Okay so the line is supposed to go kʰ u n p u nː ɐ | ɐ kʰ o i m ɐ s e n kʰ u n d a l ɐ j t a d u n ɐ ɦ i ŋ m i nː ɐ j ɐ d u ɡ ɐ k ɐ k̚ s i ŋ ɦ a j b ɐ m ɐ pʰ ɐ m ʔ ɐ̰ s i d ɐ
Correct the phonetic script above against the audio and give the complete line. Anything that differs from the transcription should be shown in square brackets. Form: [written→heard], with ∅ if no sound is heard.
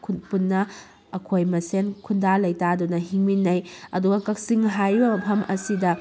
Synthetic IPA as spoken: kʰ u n p u nː ɐ | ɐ kʰ o [i→j] m ɐ s e n kʰ u n d a l ɐ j t a d u n ɐ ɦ i ŋ m i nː ɐ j ɐ d u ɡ ɐ k ɐ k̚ s i ŋ ɦ a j b ɐ m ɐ pʰ ɐ m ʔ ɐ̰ s i d ɐ